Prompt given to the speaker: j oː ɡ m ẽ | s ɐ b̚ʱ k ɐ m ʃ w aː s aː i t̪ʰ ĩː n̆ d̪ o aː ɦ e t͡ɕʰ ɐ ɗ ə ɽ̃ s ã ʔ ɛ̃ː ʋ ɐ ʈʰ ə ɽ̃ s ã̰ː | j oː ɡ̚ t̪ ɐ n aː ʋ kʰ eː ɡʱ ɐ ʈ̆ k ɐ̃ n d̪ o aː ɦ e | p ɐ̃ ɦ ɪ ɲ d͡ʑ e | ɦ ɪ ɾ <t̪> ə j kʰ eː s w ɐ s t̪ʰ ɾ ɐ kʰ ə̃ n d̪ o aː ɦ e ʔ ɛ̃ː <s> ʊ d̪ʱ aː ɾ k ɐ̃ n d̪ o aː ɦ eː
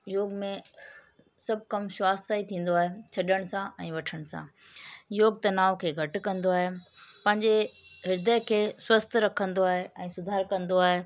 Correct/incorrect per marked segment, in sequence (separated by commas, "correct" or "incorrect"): incorrect, correct